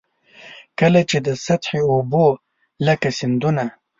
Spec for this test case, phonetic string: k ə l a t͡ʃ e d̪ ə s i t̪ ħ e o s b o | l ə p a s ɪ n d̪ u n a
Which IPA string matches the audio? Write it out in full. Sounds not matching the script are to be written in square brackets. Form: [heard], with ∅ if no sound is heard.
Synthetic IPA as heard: k ə l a t͡ʃ e d̪ ə s [a] t̪ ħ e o [∅] b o | l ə [k] a s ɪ n d̪ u n a